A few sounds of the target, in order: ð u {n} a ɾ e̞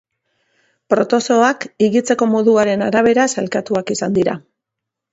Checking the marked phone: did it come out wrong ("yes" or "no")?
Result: yes